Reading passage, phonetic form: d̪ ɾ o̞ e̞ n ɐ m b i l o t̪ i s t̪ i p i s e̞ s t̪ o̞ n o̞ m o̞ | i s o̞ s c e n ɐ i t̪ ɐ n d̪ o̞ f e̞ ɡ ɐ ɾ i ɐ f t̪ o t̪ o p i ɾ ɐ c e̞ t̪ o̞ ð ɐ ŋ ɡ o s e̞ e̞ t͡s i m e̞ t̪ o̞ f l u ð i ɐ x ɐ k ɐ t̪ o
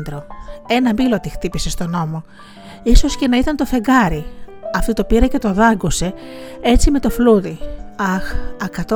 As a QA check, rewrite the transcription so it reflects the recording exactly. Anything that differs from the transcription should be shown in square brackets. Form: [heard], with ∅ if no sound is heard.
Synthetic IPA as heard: d̪ ɾ o̞ e̞ n ɐ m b i l o t̪ i [x] t̪ i p i s e̞ s t̪ o̞ n o̞ m o̞ | i s o̞ s c e n ɐ i t̪ ɐ n [t̪] o̞ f e̞ ɡ ɐ ɾ i ɐ f t̪ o t̪ o p i ɾ ɐ c e̞ t̪ o̞ ð ɐ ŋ ɡ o s e̞ e̞ t͡s i m e̞ t̪ o̞ f l u ð i ɐ x ɐ k ɐ t̪ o